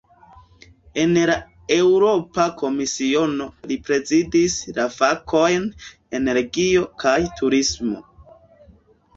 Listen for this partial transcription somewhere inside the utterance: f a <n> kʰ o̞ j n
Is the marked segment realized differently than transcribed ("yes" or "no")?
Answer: yes